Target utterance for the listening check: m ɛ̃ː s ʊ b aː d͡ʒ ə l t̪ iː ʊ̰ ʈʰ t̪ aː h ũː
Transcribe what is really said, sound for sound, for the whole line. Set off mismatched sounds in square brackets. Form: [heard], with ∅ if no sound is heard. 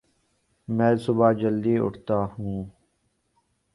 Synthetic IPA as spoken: m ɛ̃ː s ʊ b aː d͡ʒ ə l [d̪] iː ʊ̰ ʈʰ t̪ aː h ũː